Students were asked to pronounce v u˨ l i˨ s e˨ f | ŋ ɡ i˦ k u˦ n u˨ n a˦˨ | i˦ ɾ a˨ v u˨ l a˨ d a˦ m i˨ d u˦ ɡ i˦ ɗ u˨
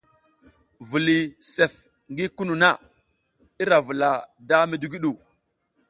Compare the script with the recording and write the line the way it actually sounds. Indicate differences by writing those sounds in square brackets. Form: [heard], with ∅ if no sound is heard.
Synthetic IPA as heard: v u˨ l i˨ s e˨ f | ŋ ɡ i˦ k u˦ n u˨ n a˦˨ | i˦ ɾ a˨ v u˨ l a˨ d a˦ m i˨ d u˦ ɡ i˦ ɗ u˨